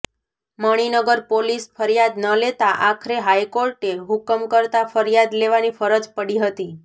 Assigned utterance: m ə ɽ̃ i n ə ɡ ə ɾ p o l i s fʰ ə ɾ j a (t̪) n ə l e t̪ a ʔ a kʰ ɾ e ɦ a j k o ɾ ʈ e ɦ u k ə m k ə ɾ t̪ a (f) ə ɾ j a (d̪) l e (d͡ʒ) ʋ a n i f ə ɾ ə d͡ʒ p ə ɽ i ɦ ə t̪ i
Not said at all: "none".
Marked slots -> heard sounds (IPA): d̪, f, d̪, none

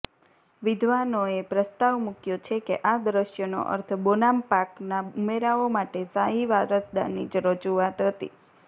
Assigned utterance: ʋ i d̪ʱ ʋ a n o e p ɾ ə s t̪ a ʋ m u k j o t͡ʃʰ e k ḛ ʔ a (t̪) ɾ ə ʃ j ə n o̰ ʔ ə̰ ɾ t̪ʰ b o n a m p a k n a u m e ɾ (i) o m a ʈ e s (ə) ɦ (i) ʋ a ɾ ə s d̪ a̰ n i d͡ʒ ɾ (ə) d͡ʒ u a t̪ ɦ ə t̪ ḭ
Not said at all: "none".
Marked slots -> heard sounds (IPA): d̪, a, a, i, ə

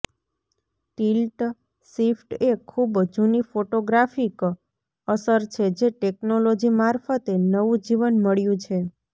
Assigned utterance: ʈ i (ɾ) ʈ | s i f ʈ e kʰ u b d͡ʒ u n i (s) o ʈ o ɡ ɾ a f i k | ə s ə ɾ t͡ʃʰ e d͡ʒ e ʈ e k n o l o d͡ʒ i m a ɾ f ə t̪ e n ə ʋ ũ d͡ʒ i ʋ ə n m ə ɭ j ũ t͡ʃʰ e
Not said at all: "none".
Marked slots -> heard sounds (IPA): l, f

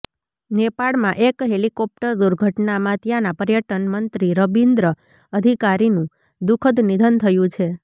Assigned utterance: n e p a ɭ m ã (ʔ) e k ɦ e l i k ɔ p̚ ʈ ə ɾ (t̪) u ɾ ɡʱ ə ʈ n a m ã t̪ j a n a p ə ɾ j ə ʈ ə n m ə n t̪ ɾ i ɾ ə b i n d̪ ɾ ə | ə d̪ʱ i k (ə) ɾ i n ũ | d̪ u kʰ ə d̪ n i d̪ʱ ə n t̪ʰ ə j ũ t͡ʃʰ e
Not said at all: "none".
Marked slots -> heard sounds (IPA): ʔ, d̪, a

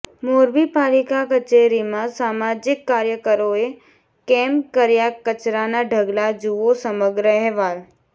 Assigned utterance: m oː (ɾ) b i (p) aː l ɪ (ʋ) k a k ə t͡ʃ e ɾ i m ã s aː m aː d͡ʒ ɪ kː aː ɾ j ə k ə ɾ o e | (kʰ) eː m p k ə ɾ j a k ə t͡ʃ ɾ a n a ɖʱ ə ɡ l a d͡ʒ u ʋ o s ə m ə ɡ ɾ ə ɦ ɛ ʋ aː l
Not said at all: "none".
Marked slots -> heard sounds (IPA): ɾ, p, none, k

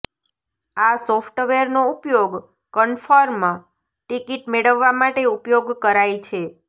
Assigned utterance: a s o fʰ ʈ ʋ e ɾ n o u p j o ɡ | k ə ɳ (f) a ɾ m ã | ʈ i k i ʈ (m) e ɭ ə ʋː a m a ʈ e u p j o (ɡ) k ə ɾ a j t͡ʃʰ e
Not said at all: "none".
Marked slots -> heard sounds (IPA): f, m, ɡ

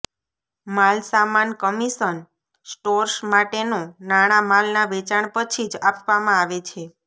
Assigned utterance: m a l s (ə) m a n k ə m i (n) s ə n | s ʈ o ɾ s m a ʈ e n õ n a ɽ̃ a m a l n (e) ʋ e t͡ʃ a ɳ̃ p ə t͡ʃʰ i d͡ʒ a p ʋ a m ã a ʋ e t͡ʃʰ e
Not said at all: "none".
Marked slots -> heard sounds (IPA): a, none, a

